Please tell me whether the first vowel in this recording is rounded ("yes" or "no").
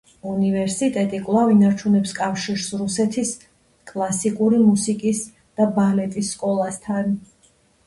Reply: yes